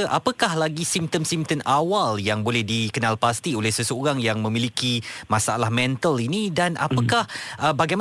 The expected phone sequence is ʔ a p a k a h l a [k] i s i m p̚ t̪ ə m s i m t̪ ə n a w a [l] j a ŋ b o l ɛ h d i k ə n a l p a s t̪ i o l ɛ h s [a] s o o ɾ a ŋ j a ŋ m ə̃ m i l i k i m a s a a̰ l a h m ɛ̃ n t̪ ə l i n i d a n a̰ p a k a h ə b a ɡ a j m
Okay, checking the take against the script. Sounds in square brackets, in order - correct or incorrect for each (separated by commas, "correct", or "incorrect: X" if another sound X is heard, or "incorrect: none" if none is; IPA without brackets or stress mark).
incorrect: ɡ, correct, incorrect: ə